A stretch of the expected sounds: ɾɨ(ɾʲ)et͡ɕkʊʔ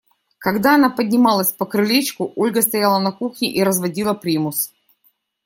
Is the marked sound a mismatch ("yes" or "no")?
yes